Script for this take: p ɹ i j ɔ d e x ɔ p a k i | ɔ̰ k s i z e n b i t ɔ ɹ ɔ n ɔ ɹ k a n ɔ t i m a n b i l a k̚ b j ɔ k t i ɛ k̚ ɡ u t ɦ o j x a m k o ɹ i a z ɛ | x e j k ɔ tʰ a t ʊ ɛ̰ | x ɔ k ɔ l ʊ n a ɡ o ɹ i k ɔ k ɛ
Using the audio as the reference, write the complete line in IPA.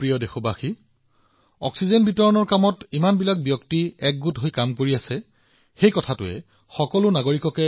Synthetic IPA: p ɹ i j ɔ d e x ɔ b a x i | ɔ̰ k s i z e n b i t ɔ ɹ ɔ n ɔ ɹ k a m ɔ t i m a n b i l a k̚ b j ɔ k t i ɛ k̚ ɡ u t ɦ o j k a m k o ɹ i a s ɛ | x e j k ɔ tʰ a t ʊ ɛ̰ | x ɔ k ɔ l ʊ n a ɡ o ɹ i k ɔ k ɛ

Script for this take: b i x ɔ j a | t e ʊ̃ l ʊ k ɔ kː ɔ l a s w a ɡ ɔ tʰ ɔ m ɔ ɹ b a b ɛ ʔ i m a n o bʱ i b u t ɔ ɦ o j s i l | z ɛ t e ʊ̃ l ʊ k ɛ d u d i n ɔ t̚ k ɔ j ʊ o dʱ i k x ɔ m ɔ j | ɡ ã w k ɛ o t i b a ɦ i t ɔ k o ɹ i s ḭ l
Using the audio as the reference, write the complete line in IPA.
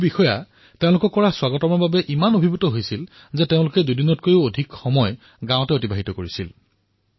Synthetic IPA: b i x ɔ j a | t e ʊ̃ l ʊ k ɔ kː ɔ ɹ a s w a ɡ ɔ t ɔ m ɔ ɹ b a b ɛ ʔ i m a n o bʱ i b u t ɔ ɦ o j s i l | z ɛ t e ʊ̃ l ʊ k ɛ d u d i n ɔ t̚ k o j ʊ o dʱ i k x ɔ m ɔ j | ɡ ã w t ɛ o t i b a ɦ i t ɔ k o ɹ i s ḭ l

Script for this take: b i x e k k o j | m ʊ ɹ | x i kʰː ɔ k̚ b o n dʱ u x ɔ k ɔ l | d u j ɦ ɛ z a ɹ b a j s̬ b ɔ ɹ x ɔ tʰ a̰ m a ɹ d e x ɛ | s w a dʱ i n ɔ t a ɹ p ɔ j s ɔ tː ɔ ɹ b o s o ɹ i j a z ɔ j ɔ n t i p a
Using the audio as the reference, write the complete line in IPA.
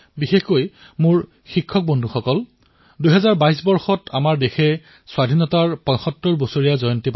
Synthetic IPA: b i x e x k o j | m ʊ ɹ | x i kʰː ɔ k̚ b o n dʱ u x ɔ k ɔ l | d u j ɦ ɛ z a ɹ b a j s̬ b ɔ ɹ x ɔ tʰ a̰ m a ɹ d e x ɛ | s w a dʱ i n ɔ t a ɹ p ɔ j x ɔ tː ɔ ɹ b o s o ɹ i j a z ɔ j ɔ n t i p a

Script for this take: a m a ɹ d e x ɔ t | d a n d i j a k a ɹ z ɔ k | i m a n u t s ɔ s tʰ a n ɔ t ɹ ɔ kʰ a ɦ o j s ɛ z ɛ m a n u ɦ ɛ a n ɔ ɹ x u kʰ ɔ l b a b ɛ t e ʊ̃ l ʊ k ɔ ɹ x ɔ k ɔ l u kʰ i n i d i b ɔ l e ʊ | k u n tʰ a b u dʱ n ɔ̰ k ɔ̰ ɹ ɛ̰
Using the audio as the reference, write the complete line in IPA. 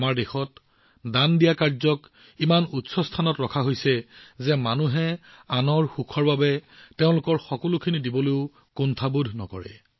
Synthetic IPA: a m a ɹ d e x ɔ t | d a n d i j a k a ɹ z ɔ k | i m a n u t s ɔ s tʰ a n ɔ t ɹ ɔ kʰ a ɦ o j s ɛ z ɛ m a n u ɦ ɛ a n ɔ ɹ x u kʰ ɔ ɹ b a b ɛ t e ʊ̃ l ʊ k ɔ ɹ x ɔ k ɔ l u kʰ i n i d i b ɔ l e ʊ | k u n tʰ a b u dʱ n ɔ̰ k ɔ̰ ɹ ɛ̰

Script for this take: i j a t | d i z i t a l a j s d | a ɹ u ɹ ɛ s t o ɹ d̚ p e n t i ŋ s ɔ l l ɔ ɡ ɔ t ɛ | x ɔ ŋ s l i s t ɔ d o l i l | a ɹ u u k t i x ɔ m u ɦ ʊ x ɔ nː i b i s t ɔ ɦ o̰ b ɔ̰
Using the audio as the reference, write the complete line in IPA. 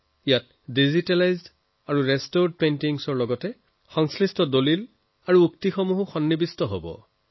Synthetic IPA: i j a t | d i z i t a l a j z d | a ɹ u ɹ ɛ s t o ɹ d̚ p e n t i ŋ s ɔ ɹ l ɔ ɡ ɔ t ɛ | x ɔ ŋ s l i s t ɔ d o l i l | a ɹ u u k t i x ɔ m u ɦ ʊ x ɔ nː i b i s t ɔ ɦ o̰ b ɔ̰

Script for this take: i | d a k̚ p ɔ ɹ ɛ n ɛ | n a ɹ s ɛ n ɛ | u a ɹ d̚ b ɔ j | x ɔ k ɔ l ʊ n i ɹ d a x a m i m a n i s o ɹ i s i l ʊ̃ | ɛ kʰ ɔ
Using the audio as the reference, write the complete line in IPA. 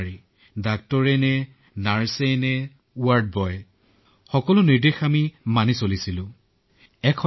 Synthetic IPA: i | d a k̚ t ɔ ɹ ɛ n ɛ | n a ɹ s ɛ n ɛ | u a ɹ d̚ b ɔ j | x ɔ k ɔ l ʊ n i ɹ d e x a m i m a n i s o l i s i l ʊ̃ | ɛ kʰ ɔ

